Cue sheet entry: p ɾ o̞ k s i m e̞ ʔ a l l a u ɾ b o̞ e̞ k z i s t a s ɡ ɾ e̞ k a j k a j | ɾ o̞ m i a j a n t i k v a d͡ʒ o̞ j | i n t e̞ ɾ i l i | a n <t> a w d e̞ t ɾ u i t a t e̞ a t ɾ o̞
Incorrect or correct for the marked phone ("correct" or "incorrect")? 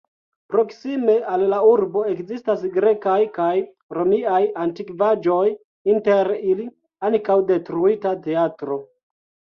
incorrect